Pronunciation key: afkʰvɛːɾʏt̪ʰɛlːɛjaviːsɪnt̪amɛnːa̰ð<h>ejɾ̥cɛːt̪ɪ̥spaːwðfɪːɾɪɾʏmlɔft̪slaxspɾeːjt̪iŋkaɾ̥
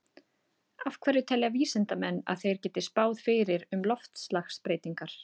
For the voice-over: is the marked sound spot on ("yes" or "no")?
no